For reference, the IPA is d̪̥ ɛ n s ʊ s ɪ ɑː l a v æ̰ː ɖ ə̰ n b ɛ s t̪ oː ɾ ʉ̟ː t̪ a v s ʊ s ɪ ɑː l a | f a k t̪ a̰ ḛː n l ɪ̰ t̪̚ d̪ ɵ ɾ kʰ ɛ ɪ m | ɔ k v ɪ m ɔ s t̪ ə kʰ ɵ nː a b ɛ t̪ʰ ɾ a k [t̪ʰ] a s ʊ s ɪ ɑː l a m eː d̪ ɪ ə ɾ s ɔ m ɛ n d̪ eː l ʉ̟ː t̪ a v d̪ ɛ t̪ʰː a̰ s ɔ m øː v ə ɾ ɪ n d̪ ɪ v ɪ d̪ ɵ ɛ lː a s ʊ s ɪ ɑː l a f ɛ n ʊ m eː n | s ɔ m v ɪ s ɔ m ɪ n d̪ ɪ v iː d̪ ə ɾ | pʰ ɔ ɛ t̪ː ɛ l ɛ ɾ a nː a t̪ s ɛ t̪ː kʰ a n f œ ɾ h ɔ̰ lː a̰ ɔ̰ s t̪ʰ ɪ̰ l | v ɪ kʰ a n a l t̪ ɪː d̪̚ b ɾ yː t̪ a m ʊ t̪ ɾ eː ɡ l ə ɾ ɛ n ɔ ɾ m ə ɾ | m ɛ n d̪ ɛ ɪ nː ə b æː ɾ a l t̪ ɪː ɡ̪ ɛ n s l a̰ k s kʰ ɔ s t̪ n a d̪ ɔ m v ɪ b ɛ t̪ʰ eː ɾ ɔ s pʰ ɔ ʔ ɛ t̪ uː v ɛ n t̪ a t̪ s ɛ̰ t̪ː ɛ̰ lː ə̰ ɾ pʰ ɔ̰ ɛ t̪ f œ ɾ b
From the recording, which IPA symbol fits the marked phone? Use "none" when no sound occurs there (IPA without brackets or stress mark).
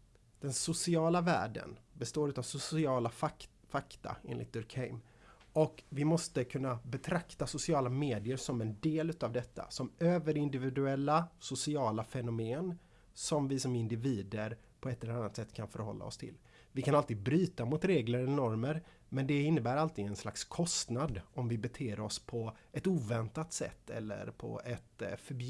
t̪